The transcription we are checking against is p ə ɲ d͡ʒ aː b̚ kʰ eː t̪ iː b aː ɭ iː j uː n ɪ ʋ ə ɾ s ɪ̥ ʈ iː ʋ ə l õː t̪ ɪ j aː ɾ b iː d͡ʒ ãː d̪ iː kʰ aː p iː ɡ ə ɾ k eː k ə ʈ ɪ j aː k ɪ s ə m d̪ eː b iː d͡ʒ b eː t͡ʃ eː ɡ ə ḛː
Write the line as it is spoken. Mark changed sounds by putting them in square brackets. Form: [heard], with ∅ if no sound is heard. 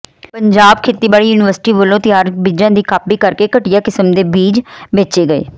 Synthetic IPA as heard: p ə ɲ d͡ʒ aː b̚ kʰ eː t̪ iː b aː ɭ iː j uː n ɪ ʋ ə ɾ s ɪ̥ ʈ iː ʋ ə l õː t̪ ɪ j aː ɾ b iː d͡ʒ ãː d̪ iː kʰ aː p iː [k] ə ɾ k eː k ə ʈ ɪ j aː k ɪ s ə m d̪ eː b iː d͡ʒ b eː t͡ʃ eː ɡ ə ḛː